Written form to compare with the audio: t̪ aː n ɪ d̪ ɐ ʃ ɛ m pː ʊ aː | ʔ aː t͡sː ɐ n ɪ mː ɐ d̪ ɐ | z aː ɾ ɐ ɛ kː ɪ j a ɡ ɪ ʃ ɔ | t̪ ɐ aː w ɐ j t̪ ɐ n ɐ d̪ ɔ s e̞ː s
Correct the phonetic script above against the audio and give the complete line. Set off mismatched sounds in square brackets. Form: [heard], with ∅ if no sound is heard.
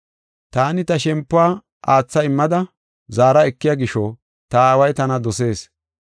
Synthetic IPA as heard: t̪ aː n ɪ [t̪] ɐ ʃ ɛ m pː ʊ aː | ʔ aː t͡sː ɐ [∅] ɪ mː ɐ d̪ ɐ | z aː ɾ ɐ ɛ kː ɪ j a ɡ ɪ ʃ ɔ | t̪ ɐ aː w ɐ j t̪ ɐ n ɐ d̪ ɔ s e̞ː s